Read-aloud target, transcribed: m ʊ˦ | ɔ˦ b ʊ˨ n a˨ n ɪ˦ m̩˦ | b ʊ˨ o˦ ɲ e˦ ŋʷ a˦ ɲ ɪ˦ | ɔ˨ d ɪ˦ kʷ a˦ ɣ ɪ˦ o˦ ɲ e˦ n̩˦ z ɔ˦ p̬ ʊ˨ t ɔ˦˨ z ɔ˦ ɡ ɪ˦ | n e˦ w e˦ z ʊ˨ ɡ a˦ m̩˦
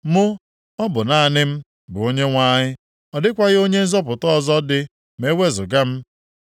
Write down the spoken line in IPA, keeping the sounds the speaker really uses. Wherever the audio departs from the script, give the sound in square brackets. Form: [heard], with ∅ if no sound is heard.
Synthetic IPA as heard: m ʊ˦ | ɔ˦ b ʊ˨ n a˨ n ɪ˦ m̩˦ | b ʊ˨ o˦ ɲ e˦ ŋʷ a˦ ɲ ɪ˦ | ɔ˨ d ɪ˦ kʷ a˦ ɣ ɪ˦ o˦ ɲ e˦ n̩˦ z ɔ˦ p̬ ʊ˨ t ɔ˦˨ z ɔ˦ [d] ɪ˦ | [m] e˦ w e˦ z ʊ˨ ɡ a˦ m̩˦